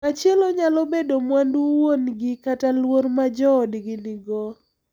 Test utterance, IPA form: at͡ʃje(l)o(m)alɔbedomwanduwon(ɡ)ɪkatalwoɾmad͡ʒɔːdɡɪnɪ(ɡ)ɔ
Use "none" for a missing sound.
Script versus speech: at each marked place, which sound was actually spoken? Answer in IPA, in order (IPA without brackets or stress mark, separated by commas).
l, ɲ, ɡ, ɡ